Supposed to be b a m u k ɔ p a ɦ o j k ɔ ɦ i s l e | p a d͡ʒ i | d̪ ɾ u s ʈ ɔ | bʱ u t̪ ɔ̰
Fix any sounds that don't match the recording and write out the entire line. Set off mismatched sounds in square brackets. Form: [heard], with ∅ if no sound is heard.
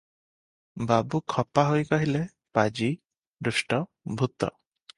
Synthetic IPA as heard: b a [b] u [kʰ] ɔ p a ɦ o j k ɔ ɦ i [∅] l e | p a d͡ʒ i | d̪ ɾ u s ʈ ɔ | bʱ u t̪ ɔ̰